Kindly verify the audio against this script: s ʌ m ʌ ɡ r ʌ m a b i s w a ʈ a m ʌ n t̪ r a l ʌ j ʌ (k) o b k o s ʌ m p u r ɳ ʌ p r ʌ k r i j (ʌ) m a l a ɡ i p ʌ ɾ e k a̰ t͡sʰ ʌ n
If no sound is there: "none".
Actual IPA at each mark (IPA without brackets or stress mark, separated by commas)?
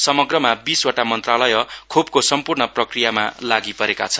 kʰ, a